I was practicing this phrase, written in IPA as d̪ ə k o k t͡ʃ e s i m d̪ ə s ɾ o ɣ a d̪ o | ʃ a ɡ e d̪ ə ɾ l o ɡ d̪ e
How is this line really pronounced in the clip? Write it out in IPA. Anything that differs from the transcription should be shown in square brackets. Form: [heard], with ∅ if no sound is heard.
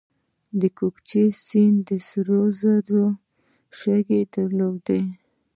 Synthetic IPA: d̪ ə k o k t͡ʃ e s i [n] d̪ ə s ɾ o [z] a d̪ o | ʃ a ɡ e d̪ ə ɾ l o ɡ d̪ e